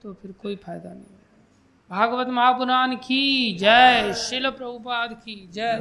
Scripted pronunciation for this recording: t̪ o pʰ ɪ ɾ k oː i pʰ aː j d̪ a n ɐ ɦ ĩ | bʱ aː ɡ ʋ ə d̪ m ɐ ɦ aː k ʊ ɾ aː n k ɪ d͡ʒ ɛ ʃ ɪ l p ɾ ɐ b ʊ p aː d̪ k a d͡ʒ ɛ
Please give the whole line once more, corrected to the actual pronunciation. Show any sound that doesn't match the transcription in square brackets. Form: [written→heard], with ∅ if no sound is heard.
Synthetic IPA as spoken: t̪ o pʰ ɪ ɾ k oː i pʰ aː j d̪ a n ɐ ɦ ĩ | bʱ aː ɡ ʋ ə [d̪→t̪] m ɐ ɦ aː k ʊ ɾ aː n k [ɪ→i] d͡ʒ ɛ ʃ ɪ l p ɾ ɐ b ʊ p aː d̪ k [a→i] d͡ʒ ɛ